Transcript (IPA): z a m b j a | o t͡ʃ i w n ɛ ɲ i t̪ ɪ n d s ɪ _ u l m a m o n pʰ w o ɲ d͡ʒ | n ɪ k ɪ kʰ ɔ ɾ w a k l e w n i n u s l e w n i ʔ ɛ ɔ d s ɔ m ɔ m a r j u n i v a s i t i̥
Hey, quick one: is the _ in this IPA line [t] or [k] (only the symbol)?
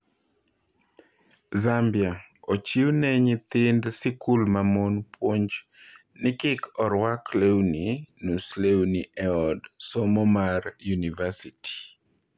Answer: k